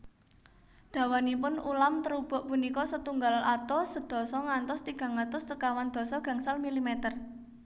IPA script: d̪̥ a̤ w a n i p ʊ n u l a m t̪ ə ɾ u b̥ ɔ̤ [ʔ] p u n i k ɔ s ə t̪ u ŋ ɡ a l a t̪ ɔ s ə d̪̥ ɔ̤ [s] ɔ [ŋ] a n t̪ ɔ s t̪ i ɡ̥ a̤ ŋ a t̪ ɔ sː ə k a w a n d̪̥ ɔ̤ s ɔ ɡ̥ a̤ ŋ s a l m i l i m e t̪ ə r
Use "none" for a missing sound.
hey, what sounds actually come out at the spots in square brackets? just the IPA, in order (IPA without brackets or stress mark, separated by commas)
ʔ, s, ŋ